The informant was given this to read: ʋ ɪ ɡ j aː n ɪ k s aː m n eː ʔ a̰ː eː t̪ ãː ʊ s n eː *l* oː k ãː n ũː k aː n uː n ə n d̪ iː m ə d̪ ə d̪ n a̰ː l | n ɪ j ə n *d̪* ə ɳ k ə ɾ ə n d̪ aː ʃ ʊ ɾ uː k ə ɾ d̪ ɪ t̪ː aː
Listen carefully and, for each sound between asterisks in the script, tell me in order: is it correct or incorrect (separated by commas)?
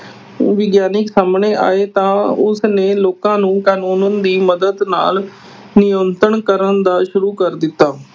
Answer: correct, incorrect